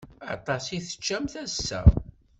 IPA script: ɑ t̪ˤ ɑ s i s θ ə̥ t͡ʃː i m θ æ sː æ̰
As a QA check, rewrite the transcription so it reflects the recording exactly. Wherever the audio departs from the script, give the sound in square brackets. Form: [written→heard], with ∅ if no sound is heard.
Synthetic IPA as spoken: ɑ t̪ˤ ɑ s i [s→∅] θ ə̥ t͡ʃː [i→æ] m θ æ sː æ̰